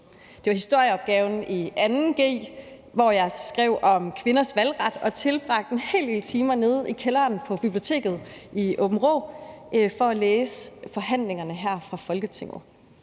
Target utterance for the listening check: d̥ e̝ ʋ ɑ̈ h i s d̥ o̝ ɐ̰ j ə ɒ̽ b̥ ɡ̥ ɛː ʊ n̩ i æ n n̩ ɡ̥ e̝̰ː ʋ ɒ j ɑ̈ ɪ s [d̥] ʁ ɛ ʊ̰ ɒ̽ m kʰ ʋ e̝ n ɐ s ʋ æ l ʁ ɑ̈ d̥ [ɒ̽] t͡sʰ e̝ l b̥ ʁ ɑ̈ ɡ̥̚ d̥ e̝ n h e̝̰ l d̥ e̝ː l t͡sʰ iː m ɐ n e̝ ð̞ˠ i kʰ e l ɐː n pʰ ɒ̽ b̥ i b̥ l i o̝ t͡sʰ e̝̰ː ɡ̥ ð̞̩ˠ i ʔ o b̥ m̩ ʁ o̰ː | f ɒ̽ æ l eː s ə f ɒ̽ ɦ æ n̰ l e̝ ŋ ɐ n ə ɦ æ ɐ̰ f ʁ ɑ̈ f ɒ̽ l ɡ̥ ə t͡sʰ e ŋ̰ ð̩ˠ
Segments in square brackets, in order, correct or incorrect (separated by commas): incorrect, correct